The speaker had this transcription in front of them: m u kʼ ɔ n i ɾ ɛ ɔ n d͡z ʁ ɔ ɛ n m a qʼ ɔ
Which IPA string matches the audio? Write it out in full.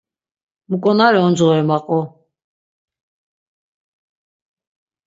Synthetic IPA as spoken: m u kʼ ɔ n a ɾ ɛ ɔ n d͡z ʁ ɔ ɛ m a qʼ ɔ